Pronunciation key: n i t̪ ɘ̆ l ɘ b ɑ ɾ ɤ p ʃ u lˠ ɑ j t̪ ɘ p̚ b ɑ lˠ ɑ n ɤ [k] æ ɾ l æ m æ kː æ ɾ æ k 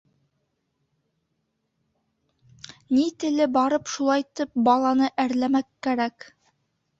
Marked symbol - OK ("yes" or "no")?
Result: no